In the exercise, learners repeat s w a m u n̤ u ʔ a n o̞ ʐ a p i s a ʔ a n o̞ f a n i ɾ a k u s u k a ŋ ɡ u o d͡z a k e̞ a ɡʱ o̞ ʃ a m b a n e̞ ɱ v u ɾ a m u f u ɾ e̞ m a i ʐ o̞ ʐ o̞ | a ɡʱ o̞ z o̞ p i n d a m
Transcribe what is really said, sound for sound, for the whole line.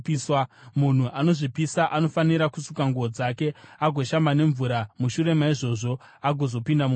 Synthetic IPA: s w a m u n̤ u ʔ a n o̞ ʐ i p i s a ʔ a n o̞ f a n i ɾ a k u s u k a ŋ ɡ u o d͡z a k e̞ a ɡʱ o̞ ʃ a m b a n e̞ ɱ v u ɾ a m u ʃ u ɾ e̞ m a i ʐ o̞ ʐ o̞ | a ɡʱ o̞ z o̞ p i n d a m